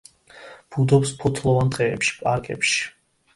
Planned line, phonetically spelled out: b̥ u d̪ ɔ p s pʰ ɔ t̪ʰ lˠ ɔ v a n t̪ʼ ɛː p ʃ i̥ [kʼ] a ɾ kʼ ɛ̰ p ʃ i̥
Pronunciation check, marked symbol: incorrect: pʼ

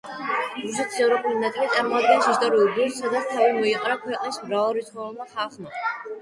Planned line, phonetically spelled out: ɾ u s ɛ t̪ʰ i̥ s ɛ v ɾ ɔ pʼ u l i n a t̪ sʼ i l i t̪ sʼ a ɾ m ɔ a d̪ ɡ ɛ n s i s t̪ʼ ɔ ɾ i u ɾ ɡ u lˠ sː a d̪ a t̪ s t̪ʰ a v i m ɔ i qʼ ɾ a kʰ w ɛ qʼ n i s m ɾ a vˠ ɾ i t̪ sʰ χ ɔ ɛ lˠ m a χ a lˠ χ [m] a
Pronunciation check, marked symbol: correct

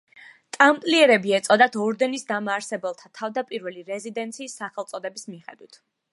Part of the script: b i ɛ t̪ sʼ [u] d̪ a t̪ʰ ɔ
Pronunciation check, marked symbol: incorrect: ɔ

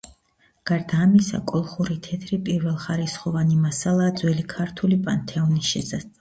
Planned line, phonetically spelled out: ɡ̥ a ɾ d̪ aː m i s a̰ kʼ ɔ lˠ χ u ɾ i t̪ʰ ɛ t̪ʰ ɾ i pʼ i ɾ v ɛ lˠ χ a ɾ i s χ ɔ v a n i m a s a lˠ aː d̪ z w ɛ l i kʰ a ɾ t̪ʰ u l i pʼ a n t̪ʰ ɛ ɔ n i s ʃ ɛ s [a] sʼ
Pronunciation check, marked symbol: correct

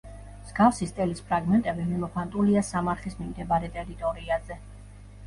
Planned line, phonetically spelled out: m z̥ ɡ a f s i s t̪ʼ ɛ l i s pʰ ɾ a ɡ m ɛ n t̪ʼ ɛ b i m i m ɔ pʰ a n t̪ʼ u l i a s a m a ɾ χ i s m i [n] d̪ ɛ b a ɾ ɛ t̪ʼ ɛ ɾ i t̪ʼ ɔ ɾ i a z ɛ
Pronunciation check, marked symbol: incorrect: m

